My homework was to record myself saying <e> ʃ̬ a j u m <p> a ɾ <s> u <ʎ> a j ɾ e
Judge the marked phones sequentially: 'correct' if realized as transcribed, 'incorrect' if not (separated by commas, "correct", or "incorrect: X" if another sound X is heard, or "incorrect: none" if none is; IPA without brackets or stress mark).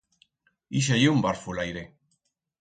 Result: incorrect: i, incorrect: b, incorrect: f, incorrect: l